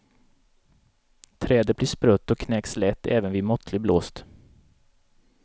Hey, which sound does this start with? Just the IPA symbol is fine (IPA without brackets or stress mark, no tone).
t̪ʰ